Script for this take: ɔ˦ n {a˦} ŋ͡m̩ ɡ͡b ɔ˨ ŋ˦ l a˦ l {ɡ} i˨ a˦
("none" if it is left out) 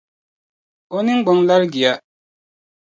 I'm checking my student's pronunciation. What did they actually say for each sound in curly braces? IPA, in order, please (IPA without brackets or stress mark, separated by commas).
i˦, ɡ